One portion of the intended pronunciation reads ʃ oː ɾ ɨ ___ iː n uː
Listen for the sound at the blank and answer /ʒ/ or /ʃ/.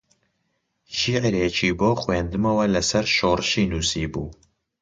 ʃ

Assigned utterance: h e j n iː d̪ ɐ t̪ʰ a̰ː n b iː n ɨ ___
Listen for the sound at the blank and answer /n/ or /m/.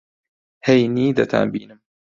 m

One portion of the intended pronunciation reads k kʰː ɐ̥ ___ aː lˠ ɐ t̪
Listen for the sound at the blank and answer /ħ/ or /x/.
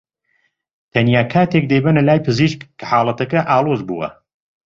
ħ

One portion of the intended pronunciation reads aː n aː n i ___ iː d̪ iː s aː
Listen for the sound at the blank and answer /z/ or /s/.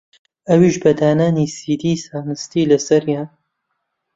s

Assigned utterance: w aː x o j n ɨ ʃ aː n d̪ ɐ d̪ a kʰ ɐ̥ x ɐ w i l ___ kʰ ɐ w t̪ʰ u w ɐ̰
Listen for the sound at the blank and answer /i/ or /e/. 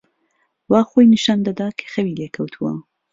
e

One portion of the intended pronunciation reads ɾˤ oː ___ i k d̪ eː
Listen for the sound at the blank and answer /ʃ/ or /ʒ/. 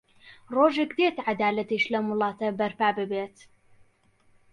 ʒ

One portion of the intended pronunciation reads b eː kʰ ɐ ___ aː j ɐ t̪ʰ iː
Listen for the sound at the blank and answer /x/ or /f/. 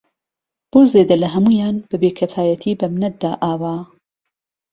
f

